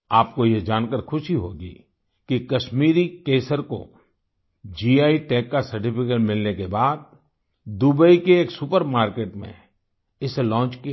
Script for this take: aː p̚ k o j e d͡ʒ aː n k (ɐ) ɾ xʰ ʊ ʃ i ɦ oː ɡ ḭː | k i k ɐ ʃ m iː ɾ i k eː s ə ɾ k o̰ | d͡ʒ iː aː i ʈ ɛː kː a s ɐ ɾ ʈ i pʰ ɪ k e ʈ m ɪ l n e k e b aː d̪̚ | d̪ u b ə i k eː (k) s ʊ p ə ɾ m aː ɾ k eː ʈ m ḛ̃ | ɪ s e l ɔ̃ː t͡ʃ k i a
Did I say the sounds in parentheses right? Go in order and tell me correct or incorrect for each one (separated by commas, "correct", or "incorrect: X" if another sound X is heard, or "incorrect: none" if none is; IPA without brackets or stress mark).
incorrect: ə, correct